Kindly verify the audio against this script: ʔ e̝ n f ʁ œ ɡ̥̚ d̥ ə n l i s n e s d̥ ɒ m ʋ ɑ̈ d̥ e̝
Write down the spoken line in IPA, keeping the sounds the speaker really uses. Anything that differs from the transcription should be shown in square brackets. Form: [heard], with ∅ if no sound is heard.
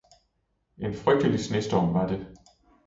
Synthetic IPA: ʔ e̝ n f ʁ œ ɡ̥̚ d̥ ə [∅] l i s n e s d̥ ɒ m ʋ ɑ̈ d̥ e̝